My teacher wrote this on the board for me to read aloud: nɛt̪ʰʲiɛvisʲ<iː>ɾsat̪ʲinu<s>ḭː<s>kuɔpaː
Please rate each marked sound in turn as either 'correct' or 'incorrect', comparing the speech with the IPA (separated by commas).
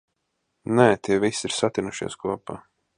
incorrect, incorrect, correct